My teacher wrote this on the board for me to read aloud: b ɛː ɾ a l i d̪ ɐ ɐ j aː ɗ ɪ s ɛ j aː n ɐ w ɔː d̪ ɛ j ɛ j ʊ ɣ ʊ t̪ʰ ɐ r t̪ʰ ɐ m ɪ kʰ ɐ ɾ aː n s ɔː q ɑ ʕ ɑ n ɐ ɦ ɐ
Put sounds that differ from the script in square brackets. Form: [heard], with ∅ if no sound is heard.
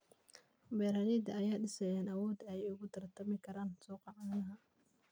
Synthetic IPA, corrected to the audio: b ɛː ɾ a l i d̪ ɐ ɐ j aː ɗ ɪ s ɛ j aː n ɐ w ɔː d̪ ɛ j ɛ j ʊ ɣ ʊ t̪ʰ ɐ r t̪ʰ ɐ m ɪ kʰ ɐ ɾ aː n s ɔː q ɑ ʕ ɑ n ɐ ɦ ɐ